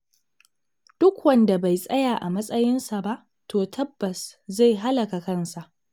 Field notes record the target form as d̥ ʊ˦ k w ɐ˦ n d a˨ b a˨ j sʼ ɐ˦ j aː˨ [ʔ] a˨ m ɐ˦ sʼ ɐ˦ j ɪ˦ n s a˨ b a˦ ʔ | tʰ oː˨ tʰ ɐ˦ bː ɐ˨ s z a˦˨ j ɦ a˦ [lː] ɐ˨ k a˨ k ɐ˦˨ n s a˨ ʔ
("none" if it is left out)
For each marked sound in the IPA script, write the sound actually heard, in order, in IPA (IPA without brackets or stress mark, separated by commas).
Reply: ʔ, l